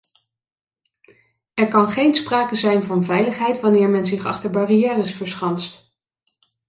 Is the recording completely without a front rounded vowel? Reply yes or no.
yes